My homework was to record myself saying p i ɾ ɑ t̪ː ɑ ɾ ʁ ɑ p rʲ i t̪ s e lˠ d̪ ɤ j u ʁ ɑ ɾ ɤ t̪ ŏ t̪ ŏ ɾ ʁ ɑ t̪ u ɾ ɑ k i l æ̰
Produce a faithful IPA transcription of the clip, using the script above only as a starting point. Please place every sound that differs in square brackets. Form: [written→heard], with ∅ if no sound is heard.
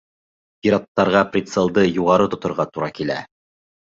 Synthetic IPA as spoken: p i ɾ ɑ t̪ː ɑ ɾ ʁ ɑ p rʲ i t̪ s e lˠ d̪ ɤ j u ʁ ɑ ɾ ɤ t̪ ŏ t̪ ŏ ɾ ʁ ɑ t̪ u ɾ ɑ k i l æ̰